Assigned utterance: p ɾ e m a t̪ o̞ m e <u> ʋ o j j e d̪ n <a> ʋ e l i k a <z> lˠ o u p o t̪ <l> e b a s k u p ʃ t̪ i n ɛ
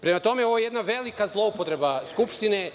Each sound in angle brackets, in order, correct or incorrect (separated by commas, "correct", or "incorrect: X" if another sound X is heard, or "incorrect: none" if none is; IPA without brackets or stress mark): incorrect: o, correct, correct, incorrect: ɾ